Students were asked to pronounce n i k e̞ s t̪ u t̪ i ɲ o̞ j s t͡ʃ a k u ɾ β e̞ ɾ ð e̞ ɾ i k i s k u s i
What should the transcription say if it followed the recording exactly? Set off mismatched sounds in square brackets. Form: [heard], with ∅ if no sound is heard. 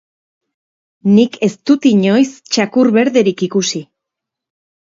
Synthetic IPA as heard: n i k e̞ s t̪ u t̪ i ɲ o̞ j s t͡ʃ a k u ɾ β e̞ ɾ ð e̞ ɾ i k i [∅] k u s i

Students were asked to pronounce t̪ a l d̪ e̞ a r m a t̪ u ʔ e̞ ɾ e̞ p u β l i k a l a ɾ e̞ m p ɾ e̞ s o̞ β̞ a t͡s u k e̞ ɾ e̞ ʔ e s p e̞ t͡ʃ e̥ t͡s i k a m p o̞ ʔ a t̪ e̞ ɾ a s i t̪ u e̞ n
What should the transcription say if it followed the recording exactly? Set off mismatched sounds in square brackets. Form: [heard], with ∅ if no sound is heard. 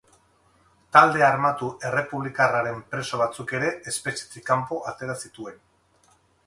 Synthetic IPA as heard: t̪ a l d̪ e̞ a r m a t̪ u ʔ e̞ [r] e̞ p u β l i k a [r] a ɾ e̞ m p ɾ e̞ s o̞ β̞ a t͡s u k e̞ ɾ e̞ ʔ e s p e̞ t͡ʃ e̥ t͡s i k a m p o̞ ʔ a t̪ e̞ ɾ a s i t̪ u e̞ n

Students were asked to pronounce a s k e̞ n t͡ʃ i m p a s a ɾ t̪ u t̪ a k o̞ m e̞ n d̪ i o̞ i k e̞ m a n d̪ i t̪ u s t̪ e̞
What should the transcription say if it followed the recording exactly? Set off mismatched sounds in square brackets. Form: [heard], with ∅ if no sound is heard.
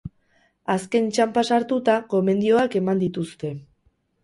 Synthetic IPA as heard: a s k e̞ n t͡ʃ [a] m p a s a ɾ t̪ u t̪ a k o̞ m e̞ n d̪ i o̞ [a] k e̞ m a n d̪ i t̪ u s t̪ e̞

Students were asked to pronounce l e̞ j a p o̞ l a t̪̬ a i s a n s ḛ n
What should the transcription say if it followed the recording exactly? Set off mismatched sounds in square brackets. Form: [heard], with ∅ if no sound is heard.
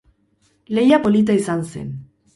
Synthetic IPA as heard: l e̞ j a p o̞ l [i] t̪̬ a i s a n s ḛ n

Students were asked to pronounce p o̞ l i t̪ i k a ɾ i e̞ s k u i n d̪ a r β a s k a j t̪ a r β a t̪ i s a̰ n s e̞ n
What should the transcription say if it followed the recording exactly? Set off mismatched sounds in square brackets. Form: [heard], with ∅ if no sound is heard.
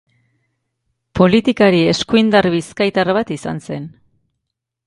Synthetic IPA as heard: p o̞ l i t̪ i k a ɾ i e̞ s k u i n d̪ a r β [i] s k a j t̪ a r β a t̪ i s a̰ n s e̞ n

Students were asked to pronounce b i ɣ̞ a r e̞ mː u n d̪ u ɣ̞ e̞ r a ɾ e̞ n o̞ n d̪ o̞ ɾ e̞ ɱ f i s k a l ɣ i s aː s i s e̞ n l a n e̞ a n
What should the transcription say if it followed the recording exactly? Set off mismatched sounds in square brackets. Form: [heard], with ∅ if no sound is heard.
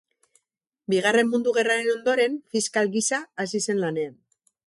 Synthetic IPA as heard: b i ɣ̞ a r e̞ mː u n d̪ u ɣ̞ e̞ r a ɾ e̞ n o̞ n d̪ o̞ ɾ e̞ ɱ f i s k a l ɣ i s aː s i s e̞ n l a n e̞ a n

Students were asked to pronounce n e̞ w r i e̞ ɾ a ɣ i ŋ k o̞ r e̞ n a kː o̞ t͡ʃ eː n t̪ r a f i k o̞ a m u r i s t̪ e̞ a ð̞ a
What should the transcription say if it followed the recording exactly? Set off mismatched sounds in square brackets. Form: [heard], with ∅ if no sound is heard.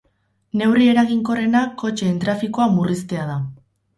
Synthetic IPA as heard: n e̞ w r i e̞ ɾ a ɣ i ŋ k o̞ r e̞ n a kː o̞ t͡ʃ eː n t̪ [ɾ] a f i k o̞ a m u r i s t̪ e̞ a ð̞ a

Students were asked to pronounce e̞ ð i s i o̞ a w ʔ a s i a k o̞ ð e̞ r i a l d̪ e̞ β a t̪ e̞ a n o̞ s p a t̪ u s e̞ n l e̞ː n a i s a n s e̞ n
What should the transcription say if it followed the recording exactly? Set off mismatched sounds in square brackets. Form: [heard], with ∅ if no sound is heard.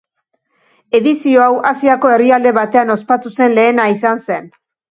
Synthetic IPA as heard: e̞ ð i s i o̞ a w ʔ a s i a k o̞ [∅] e̞ r i a l d̪ e̞ β a t̪ e̞ a n o̞ s p a t̪ u s e̞ n l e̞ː n a i s a n s e̞ n

